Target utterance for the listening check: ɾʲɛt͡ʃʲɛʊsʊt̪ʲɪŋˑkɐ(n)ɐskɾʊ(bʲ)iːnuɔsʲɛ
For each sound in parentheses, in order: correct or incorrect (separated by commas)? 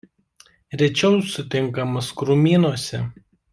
incorrect, incorrect